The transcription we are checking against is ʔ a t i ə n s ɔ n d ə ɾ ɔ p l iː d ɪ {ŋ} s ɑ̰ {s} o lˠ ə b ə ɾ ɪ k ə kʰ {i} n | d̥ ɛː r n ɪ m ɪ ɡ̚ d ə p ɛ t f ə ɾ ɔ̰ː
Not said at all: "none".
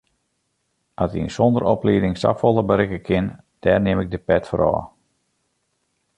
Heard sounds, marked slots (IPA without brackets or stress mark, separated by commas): ŋ, f, ɪ